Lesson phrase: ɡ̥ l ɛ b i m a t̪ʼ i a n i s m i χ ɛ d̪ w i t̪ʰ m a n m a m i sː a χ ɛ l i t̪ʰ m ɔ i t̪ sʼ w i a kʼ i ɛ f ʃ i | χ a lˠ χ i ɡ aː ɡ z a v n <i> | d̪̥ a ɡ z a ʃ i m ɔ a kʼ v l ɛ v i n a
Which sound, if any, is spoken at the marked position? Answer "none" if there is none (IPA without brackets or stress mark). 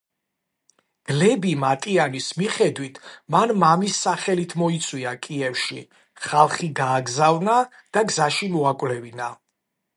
a